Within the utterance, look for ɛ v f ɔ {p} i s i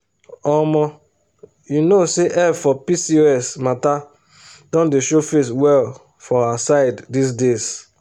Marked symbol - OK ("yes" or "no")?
yes